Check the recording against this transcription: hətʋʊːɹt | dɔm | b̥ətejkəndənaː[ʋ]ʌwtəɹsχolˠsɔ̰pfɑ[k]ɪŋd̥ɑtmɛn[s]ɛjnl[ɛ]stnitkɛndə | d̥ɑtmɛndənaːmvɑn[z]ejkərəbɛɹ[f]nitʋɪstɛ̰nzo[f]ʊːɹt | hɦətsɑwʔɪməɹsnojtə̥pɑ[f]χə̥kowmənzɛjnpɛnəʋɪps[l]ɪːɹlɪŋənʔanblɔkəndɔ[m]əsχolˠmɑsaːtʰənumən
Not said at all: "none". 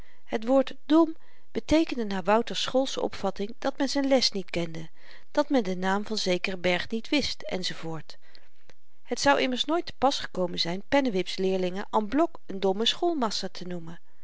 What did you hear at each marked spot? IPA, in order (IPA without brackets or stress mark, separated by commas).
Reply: ʋ, t, z, ɛ, z, χ, v, s, l, m